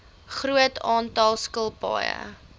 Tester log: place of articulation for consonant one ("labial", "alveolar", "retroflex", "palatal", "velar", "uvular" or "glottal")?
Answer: uvular